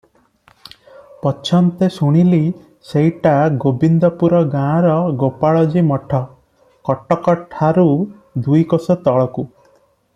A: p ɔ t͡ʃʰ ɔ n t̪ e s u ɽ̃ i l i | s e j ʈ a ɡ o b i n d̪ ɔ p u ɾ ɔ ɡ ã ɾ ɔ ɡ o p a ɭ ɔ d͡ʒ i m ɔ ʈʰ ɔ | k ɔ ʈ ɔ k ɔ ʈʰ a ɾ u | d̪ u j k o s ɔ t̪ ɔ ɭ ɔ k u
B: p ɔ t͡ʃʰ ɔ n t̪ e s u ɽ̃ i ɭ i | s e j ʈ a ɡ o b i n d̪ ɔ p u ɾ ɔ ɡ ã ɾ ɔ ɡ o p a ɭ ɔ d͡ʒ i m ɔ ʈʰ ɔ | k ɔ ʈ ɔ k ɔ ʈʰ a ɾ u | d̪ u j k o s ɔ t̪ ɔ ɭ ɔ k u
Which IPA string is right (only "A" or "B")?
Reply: A